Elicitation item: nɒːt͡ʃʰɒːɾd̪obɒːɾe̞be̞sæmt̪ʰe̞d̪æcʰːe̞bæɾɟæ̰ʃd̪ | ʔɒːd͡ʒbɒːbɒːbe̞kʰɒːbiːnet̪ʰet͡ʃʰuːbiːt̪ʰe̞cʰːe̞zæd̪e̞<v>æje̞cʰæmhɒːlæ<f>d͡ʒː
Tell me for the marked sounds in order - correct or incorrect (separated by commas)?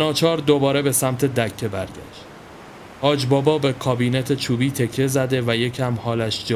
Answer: correct, incorrect